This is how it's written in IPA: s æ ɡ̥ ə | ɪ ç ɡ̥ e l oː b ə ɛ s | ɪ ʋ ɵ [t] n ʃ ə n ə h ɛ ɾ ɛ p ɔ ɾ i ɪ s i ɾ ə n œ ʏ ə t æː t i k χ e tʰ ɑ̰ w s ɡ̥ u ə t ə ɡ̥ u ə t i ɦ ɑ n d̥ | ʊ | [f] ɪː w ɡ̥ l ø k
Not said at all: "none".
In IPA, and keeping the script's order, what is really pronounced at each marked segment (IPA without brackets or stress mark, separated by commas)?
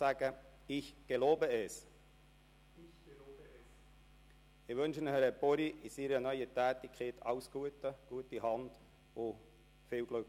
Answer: none, f